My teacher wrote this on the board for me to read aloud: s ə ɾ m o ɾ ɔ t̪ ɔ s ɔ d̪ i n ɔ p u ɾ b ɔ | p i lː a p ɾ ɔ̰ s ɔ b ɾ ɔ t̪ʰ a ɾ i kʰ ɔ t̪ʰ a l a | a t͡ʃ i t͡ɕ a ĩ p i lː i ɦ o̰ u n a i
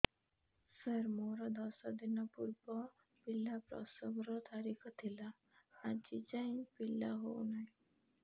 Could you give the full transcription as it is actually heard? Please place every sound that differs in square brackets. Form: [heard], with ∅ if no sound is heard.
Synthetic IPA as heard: s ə ɾ m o ɾ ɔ [d̪] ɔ s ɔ d̪ i n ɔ p u ɾ b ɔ | p i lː a p ɾ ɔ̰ s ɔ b ɾ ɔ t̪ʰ a ɾ i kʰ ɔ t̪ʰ [i] l a | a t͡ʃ i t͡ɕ a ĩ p i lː [a] ɦ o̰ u n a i